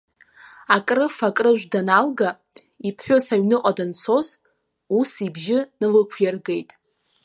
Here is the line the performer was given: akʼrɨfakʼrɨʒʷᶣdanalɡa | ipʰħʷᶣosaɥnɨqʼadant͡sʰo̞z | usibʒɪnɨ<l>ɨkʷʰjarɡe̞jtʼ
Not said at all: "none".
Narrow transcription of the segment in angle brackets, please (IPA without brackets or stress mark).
l